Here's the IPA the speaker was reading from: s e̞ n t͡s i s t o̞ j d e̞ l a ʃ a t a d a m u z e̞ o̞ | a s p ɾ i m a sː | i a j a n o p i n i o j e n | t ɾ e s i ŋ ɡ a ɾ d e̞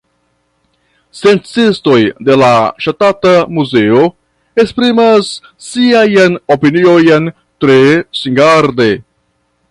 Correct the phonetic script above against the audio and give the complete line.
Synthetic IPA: s e̞ n t͡s i s t o̞ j d e̞ l a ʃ a t a t a m u z e̞ o̞ | e s p ɾ i m a sː | i a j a n o p i n i o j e n | t ɾ e s i ŋ ɡ a ɾ d e̞